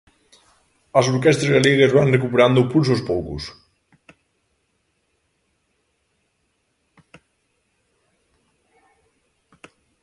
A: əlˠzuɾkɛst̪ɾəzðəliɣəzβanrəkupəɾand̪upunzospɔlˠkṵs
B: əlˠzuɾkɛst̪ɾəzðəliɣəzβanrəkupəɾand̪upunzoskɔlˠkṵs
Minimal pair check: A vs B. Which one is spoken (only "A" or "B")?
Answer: A